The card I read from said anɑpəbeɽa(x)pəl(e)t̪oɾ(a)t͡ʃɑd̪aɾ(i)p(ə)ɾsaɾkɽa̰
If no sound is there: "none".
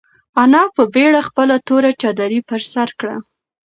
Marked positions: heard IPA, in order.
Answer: x, a, a, i, ə

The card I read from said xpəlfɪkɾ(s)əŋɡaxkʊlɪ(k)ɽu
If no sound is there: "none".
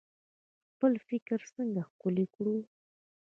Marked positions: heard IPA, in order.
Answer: s, k

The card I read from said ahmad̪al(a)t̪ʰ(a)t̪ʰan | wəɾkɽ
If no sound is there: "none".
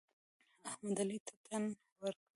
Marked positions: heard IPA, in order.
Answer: i, a

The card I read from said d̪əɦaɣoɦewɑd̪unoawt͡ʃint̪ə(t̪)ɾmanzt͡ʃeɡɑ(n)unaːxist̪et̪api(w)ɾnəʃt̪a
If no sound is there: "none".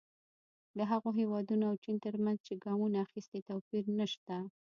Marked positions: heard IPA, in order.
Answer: none, m, none

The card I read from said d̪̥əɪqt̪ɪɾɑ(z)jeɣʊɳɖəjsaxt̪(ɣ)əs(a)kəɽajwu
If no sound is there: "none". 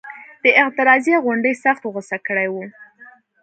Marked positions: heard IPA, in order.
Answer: z, ɣ, a

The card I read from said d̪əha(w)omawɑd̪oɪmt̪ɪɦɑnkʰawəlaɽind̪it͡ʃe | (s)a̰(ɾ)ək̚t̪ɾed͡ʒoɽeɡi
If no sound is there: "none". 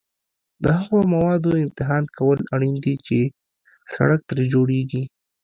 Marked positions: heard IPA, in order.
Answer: ɣ, s, ɽ

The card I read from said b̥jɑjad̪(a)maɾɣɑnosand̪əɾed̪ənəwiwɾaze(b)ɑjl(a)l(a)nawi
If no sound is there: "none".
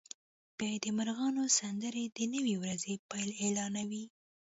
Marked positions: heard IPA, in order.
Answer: ə, p, e, ɑ

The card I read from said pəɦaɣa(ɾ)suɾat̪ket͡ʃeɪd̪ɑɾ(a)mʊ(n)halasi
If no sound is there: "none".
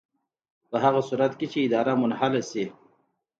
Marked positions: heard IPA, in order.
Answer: none, a, n

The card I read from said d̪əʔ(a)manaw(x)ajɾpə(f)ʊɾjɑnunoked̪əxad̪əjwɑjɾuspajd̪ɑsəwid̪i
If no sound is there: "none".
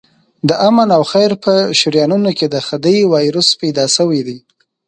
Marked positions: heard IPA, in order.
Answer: a, x, ʃ

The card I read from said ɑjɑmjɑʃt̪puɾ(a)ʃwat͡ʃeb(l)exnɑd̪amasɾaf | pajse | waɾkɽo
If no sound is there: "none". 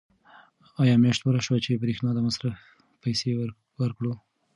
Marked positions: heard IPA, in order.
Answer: a, ɾ

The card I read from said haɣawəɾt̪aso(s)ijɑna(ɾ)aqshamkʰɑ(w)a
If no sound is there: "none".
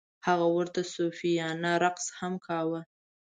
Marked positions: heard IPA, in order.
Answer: f, ɾ, w

